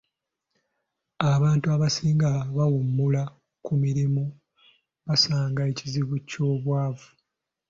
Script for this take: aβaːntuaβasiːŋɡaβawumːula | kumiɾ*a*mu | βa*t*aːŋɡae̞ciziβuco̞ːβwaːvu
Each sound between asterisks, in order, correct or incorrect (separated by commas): incorrect, incorrect